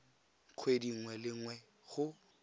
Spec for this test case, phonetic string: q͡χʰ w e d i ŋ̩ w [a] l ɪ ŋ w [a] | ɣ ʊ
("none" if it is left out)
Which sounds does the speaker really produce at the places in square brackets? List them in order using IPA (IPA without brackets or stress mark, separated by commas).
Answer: ɛ, ɛ